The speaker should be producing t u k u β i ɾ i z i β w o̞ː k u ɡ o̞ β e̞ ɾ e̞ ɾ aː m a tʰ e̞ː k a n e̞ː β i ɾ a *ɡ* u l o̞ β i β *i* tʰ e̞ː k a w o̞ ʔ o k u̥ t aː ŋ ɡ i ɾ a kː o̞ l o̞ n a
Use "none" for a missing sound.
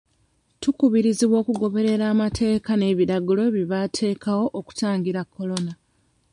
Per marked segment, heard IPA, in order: ɡ, a

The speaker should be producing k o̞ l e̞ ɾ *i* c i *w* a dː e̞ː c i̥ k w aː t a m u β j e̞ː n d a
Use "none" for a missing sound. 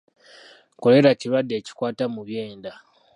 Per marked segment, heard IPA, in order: a, β

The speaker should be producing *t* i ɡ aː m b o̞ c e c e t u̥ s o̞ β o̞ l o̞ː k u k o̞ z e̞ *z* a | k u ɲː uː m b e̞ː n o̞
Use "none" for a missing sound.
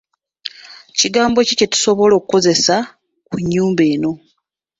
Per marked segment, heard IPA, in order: c, s

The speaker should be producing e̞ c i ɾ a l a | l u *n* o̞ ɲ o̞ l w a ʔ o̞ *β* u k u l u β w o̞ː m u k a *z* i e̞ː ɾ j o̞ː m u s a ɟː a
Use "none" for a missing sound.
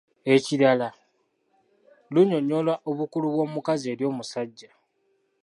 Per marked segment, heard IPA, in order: ɲ, β, z

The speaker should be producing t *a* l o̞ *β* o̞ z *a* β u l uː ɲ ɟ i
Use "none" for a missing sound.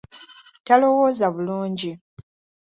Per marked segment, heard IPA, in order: a, w, a

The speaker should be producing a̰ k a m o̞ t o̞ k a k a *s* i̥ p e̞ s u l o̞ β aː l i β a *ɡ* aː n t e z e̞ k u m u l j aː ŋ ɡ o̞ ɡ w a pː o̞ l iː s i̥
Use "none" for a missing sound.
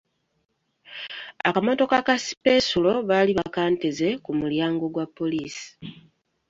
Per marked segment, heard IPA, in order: s, k

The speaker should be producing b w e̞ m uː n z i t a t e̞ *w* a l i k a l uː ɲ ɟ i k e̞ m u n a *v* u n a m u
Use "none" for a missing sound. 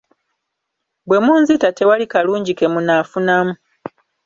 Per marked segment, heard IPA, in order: w, f

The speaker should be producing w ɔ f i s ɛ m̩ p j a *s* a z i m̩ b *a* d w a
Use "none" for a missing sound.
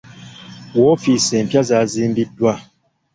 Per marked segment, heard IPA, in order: z, i

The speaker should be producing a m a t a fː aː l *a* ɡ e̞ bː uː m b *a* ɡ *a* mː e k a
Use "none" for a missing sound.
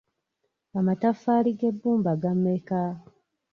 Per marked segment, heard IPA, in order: i, a, a

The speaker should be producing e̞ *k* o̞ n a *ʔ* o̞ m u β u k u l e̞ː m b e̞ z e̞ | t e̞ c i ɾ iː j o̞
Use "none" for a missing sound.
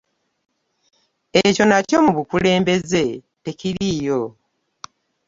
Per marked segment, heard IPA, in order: c, c

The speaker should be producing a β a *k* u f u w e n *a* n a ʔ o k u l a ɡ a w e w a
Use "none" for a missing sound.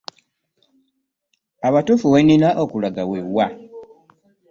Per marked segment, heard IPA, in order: t, i

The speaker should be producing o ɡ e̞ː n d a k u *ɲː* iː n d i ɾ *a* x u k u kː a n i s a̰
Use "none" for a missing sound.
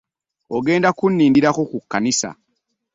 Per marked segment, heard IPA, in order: nː, a

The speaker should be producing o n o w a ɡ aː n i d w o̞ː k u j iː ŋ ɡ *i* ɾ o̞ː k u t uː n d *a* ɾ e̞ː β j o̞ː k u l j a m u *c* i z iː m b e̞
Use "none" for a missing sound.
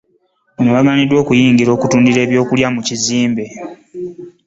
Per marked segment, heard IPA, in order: i, i, c

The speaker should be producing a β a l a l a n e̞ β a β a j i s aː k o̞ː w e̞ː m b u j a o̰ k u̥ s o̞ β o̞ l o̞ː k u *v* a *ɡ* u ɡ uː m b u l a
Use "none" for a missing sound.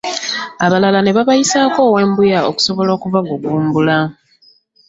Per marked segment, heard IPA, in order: v, ɡ

